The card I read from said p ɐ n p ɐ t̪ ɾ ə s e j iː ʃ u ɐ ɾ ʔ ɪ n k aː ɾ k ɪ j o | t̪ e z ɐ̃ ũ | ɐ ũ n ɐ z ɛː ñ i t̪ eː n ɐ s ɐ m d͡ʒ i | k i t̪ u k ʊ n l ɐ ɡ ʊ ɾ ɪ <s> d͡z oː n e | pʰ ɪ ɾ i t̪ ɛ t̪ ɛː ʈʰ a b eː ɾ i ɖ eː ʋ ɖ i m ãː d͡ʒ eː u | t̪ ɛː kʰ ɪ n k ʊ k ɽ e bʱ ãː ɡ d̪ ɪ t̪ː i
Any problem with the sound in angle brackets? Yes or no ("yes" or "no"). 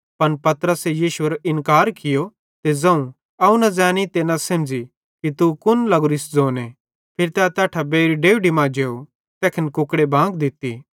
no